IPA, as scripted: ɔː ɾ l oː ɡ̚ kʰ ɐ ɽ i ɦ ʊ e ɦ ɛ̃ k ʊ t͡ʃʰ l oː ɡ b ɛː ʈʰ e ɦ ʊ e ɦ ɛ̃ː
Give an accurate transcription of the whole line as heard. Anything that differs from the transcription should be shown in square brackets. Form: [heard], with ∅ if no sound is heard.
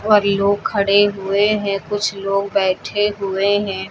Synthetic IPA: ɔː ɾ l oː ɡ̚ kʰ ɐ ɽ [e] ɦ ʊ e ɦ ɛ̃ k ʊ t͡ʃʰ l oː ɡ b ɛː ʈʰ e ɦ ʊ e ɦ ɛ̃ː

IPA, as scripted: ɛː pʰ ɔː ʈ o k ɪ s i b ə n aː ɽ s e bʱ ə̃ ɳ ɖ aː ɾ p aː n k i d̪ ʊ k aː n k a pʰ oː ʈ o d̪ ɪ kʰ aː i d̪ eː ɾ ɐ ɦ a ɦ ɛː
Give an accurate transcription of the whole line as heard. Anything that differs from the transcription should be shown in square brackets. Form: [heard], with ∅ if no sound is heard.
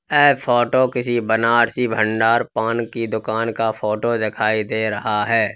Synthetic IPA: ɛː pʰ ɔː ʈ o k ɪ s i b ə n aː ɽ s [i] bʱ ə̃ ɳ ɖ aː ɾ p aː n k i d̪ ʊ k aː n k a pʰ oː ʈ o d̪ ɪ kʰ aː i d̪ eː ɾ ɐ ɦ a ɦ ɛː

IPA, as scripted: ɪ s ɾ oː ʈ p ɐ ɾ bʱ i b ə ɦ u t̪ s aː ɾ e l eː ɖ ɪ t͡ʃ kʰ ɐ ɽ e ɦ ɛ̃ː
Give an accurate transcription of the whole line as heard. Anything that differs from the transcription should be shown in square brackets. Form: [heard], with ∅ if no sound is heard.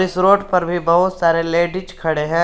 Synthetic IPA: ɪ s ɾ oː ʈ p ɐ ɾ bʱ i b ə ɦ [ʊ] t̪ s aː ɾ e l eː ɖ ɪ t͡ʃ kʰ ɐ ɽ e ɦ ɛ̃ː

